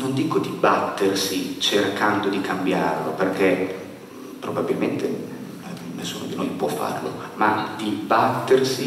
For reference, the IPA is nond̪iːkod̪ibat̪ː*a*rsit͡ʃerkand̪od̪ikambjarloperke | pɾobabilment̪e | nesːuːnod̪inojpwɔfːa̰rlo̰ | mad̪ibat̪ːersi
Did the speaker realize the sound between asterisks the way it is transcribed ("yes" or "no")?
no